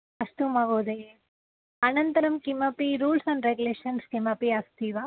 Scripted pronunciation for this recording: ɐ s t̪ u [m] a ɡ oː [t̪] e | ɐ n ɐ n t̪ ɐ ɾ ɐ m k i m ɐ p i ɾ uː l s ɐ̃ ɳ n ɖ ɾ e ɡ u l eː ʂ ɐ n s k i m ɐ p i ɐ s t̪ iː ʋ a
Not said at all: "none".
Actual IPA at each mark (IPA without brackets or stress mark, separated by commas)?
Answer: m, d̪